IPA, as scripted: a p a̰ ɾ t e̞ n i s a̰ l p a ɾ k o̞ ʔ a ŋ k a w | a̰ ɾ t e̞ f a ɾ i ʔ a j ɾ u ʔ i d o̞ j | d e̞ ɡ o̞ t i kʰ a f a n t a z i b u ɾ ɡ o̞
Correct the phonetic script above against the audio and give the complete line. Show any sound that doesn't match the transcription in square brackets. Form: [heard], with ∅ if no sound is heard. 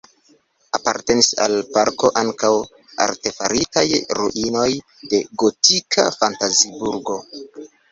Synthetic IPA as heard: a p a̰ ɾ t e̞ n i s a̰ l p a ɾ k o̞ ʔ a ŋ k a w | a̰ ɾ t e̞ f a ɾ i [t] a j ɾ u ʔ i [n] o̞ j | d e̞ ɡ o̞ t i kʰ a f a n t a z i b u ɾ ɡ o̞